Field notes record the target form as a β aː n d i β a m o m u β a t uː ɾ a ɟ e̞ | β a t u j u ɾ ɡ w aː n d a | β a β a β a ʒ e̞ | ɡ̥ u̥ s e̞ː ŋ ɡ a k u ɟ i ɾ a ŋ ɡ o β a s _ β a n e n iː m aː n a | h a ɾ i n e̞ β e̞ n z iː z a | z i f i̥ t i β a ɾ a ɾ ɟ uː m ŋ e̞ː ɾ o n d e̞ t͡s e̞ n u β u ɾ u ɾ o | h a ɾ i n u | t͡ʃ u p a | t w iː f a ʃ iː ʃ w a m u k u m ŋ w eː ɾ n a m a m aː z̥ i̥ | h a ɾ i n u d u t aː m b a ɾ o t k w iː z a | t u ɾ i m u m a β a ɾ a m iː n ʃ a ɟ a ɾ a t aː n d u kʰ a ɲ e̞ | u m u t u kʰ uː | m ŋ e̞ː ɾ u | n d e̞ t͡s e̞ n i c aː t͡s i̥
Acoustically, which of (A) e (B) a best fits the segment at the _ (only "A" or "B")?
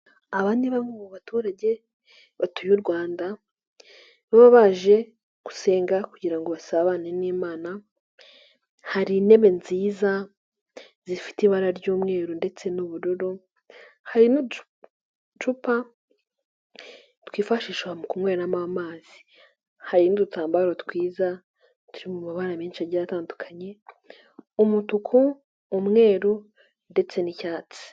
B